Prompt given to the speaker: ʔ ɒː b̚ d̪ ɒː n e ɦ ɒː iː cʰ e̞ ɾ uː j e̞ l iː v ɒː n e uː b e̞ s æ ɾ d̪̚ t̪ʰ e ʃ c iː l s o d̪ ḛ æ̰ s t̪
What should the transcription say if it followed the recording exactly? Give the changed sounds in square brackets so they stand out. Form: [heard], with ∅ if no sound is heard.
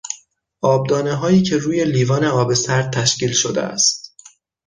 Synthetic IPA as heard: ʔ ɒː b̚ d̪ ɒː n e ɦ ɒː iː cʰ e̞ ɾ uː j e̞ l iː v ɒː n e [ɒː] b e̞ s æ ɾ d̪̚ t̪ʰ [æ] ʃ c iː l [ʃ] o d̪ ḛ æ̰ s t̪